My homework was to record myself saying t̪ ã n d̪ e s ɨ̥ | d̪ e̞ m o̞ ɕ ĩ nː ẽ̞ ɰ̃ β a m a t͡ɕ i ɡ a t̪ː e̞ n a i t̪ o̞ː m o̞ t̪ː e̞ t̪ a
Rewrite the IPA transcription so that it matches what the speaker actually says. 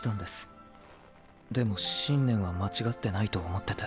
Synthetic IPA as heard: t̪ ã n d̪ e s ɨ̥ | d̪ e̞ m o̞ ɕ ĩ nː ẽ̞ ɰ̃ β a m a t͡ɕ i ɡ a t̪ː e̞ n a i t̪ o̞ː m o̞ t̪ː e̞ t̪ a